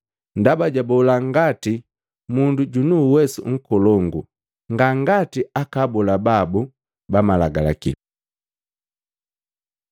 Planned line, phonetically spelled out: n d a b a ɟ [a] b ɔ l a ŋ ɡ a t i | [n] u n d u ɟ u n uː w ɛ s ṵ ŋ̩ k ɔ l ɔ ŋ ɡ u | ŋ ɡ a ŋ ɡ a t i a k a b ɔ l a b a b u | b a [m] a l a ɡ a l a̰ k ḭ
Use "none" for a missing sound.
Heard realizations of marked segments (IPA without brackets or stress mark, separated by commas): a, m, m